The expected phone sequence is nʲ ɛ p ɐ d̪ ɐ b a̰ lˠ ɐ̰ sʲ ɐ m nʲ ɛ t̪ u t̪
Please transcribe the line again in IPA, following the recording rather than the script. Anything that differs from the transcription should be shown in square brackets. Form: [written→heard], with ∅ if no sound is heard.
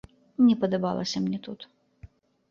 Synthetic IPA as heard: nʲ ɛ p ɐ d̪ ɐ b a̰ lˠ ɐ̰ sʲ ɐ m nʲ ɛ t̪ u t̪